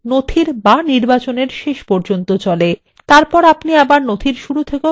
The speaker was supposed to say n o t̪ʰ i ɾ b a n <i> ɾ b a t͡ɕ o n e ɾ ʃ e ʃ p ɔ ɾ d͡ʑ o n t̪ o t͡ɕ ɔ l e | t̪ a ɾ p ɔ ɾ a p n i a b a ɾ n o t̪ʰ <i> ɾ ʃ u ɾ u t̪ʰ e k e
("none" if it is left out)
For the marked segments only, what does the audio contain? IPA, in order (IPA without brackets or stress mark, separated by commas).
i, i